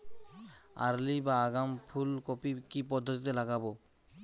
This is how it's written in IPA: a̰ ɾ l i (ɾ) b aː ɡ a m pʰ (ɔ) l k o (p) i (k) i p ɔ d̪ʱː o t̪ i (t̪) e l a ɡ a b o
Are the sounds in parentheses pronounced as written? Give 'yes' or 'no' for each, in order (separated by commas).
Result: no, no, yes, yes, yes